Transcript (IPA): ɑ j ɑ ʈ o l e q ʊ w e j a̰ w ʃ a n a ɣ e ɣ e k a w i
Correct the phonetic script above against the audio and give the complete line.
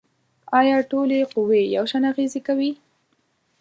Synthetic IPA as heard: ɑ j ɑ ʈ o l e q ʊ w e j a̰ w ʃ a n a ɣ e z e k a w i